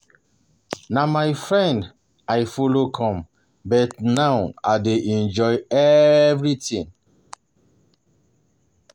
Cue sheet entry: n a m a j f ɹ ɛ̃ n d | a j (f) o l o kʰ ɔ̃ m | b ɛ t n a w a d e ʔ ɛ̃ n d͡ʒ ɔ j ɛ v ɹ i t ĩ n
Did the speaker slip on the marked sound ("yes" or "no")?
no